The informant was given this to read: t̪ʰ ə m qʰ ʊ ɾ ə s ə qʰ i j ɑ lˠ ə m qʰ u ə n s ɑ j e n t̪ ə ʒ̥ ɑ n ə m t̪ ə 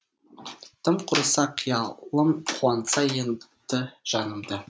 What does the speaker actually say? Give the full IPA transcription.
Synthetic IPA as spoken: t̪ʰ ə m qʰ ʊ ɾ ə s ɑ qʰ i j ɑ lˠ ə m qʰ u ɑ n s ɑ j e n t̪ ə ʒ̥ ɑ n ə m d̪ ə